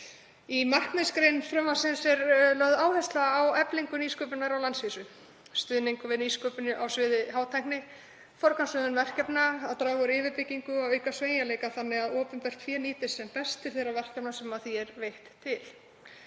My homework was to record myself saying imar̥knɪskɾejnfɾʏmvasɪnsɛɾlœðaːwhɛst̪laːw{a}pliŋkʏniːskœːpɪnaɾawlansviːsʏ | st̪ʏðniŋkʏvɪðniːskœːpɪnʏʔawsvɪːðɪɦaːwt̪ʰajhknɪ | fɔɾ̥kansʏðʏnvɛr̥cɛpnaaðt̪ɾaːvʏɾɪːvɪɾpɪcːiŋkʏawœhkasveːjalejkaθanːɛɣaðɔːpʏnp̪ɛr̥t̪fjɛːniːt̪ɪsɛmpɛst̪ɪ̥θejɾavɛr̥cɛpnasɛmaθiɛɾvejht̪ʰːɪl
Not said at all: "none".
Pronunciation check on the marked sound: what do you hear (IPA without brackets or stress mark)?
ɛ